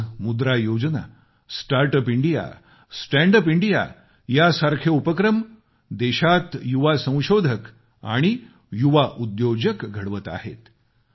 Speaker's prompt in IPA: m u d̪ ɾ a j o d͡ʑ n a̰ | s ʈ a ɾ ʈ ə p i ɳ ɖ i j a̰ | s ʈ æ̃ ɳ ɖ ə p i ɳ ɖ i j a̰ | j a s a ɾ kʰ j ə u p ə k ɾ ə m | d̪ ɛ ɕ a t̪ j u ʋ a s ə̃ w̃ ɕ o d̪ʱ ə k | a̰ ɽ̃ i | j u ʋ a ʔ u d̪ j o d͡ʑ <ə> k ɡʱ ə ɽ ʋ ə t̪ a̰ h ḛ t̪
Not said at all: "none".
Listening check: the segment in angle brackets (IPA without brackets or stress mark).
ə